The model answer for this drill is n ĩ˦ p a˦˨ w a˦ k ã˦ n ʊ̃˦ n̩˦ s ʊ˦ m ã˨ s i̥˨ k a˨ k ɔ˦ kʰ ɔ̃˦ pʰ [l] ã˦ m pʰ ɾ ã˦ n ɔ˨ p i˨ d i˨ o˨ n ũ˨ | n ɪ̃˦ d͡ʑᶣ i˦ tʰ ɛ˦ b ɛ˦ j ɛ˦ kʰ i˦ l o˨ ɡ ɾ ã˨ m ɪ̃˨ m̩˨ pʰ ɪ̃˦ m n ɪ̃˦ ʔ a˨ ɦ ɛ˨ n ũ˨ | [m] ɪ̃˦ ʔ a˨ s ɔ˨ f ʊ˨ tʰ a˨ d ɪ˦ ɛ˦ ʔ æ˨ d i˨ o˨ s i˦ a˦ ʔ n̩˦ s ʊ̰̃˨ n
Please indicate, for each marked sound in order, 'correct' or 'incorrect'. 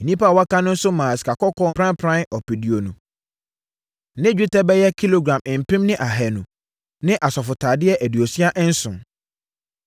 incorrect: ɾ, incorrect: n

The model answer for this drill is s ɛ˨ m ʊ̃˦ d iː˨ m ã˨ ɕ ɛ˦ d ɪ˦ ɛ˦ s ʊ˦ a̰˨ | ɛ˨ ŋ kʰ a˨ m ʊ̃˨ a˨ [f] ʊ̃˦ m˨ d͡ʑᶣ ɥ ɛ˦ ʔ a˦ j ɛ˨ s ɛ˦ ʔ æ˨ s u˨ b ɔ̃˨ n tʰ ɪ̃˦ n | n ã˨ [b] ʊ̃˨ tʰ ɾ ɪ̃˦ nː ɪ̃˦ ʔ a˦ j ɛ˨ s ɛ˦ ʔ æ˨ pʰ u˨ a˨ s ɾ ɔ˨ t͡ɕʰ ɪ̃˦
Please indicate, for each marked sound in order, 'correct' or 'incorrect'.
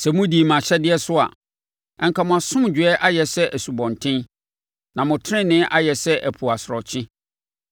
incorrect: s, incorrect: m

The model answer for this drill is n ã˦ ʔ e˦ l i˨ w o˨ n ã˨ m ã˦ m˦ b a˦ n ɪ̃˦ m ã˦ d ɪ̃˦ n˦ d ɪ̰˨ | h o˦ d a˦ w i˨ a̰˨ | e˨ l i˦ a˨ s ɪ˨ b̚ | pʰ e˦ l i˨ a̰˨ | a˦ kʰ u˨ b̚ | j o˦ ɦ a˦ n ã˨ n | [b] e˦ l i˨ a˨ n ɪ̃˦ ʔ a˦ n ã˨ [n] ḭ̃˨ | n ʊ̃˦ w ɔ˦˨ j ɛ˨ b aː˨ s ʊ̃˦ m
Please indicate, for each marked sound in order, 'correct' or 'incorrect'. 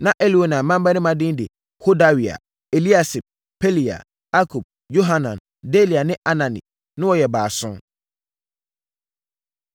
incorrect: d, correct

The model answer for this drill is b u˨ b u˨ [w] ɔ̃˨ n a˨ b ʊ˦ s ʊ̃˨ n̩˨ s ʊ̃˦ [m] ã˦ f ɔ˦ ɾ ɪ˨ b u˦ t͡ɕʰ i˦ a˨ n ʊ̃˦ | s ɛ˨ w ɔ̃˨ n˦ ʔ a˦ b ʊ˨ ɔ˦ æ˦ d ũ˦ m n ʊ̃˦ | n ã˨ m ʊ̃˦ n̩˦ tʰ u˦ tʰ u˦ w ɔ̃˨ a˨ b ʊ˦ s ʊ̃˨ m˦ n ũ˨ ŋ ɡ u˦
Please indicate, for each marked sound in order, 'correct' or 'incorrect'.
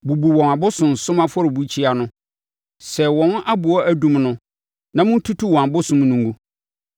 correct, correct

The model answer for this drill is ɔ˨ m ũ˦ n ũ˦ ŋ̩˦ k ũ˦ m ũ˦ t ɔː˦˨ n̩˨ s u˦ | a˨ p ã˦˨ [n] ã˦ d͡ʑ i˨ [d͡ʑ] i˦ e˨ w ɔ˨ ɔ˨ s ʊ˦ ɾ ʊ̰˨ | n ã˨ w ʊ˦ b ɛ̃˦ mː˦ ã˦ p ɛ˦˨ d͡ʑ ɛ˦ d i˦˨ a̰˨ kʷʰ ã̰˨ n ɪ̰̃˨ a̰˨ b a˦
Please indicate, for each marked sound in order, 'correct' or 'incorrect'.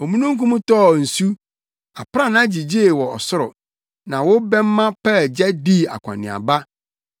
correct, correct

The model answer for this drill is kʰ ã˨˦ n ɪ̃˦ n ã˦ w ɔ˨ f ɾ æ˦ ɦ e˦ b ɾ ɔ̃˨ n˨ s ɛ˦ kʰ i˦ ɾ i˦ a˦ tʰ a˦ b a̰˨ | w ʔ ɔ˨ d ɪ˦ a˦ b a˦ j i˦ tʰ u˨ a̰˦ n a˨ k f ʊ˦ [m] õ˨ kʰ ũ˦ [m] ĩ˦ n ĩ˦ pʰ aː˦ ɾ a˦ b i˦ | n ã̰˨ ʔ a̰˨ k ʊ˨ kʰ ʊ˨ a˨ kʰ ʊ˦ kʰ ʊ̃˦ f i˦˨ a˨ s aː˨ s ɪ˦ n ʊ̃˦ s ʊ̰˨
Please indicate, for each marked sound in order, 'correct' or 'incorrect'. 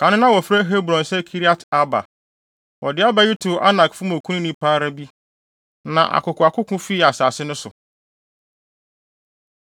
correct, incorrect: n

